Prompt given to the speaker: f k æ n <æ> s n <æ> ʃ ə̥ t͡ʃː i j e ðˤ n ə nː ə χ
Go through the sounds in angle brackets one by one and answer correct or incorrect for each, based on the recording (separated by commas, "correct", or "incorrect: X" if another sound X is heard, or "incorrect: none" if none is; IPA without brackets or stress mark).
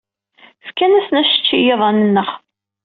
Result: correct, correct